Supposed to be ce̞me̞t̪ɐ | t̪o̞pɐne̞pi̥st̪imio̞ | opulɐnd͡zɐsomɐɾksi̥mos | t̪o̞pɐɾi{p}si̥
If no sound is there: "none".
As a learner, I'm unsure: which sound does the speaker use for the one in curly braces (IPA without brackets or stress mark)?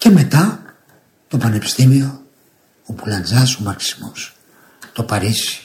none